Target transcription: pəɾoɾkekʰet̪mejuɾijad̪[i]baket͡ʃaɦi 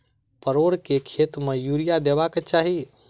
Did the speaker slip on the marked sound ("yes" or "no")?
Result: yes